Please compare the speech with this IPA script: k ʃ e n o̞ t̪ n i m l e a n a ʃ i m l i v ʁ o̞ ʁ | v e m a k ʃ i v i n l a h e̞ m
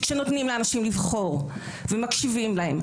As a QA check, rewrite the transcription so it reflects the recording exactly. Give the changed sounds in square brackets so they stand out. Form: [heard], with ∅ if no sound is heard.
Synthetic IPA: k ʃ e n o̞ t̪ n i m l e a n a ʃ i m l i v [χ] o̞ ʁ | v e m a k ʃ i v i [m] l a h e̞ m